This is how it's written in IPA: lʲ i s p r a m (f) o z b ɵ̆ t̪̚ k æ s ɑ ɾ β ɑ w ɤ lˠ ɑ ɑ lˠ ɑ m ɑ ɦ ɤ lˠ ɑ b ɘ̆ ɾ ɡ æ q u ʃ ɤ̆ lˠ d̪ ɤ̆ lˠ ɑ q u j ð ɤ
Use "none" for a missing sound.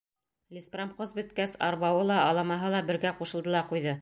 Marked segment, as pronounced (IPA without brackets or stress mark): χ